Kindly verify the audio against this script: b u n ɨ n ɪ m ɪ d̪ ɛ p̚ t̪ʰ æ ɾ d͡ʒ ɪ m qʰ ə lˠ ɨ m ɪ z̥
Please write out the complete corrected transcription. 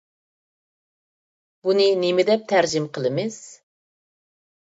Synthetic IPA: b u n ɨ n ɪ m ɪ d̪ ɛ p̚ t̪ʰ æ ɾ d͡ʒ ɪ m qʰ ə lˠ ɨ m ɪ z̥